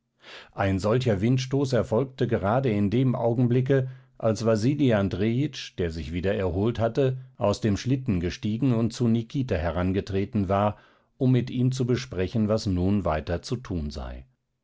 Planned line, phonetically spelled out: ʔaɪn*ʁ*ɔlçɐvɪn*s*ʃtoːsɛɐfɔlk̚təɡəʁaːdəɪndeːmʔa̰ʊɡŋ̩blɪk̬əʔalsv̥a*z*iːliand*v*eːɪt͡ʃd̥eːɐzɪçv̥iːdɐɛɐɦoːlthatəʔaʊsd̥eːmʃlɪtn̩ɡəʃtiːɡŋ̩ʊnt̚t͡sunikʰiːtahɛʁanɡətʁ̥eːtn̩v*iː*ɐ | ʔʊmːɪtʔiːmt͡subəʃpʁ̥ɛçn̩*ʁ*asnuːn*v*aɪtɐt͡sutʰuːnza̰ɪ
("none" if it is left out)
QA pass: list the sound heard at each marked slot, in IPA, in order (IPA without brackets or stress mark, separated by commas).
z, t, z, ʁ, aː, v, v